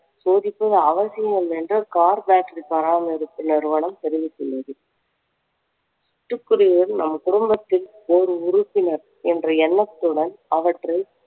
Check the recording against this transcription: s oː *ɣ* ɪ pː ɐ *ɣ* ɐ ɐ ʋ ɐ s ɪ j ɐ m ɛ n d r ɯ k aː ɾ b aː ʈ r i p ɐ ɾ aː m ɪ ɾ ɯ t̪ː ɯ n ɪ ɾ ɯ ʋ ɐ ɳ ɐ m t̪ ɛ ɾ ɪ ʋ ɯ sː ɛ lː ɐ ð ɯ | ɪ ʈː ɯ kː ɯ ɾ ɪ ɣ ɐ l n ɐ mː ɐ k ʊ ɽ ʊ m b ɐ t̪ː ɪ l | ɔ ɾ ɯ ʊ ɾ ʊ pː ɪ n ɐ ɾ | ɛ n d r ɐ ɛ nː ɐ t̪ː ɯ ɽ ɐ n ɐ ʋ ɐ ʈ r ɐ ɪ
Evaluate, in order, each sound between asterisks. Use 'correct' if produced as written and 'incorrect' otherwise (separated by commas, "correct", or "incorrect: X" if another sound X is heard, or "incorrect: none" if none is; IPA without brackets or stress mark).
incorrect: ð, incorrect: ð